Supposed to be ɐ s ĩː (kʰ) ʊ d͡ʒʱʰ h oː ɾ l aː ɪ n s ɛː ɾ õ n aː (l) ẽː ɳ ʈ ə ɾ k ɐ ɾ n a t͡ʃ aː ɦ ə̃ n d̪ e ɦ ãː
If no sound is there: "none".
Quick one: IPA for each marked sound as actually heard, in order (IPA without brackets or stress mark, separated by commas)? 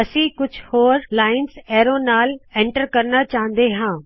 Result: k, l